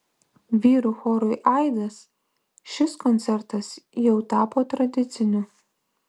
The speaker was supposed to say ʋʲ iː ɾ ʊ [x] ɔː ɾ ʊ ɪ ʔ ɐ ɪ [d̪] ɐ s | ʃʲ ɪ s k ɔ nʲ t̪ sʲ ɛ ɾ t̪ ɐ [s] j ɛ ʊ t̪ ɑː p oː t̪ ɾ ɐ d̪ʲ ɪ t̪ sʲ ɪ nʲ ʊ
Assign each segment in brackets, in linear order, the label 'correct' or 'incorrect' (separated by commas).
correct, correct, correct